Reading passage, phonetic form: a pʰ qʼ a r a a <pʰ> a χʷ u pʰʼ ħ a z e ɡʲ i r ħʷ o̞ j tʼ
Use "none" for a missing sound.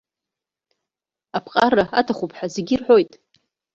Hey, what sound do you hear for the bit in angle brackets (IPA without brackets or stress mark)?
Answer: tʰ